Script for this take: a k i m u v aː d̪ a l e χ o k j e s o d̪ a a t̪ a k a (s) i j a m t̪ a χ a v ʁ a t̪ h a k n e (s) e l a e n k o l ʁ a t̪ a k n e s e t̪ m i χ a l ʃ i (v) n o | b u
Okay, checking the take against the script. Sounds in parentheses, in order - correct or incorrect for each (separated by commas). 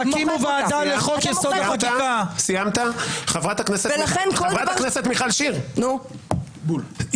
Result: correct, correct, incorrect